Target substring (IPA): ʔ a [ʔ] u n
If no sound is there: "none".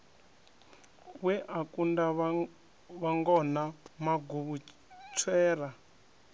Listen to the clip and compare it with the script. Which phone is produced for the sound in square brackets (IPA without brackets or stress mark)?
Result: k